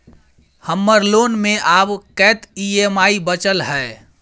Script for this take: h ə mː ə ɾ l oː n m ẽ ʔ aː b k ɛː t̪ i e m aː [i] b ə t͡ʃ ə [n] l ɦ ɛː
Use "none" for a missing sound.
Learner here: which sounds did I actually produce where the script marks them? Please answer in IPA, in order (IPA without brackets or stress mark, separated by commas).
i, none